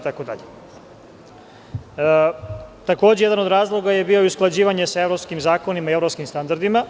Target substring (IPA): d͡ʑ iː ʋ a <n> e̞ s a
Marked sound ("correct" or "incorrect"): incorrect